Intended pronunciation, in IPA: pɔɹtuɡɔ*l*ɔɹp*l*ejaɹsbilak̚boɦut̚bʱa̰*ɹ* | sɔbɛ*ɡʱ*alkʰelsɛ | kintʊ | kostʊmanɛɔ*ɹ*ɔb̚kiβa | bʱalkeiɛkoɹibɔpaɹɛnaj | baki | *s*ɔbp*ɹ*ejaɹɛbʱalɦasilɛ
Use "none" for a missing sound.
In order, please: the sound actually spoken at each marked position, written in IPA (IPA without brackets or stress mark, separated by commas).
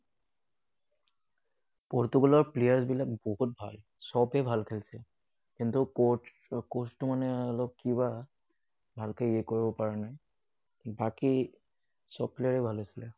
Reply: l, l, l, bʱ, l, s, l